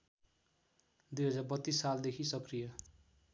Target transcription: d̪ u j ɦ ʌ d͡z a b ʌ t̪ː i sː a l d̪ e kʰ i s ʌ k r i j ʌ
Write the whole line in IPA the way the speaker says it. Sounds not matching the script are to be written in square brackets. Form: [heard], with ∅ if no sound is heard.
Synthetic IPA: d̪ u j ɦ ʌ d͡z a b ʌ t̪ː i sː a l d̪ e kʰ i s ʌ k r i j ʌ